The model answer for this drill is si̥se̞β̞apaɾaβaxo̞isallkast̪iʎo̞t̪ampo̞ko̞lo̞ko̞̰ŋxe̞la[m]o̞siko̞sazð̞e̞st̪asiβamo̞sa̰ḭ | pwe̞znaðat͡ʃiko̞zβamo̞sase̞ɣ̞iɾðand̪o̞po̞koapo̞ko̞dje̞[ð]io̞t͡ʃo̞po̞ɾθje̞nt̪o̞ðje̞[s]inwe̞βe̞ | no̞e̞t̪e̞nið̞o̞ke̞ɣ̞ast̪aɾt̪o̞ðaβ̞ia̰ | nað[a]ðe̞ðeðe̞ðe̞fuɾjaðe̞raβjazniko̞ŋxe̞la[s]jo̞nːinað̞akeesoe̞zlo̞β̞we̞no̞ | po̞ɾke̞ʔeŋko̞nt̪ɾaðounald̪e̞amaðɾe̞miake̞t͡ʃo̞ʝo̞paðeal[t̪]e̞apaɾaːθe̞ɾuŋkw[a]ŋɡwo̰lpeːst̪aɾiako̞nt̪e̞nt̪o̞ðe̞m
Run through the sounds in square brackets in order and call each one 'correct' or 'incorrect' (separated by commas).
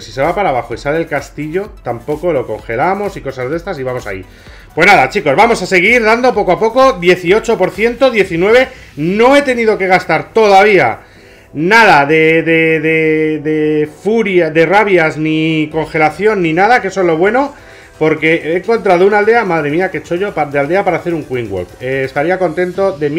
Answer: correct, incorrect, incorrect, correct, incorrect, incorrect, incorrect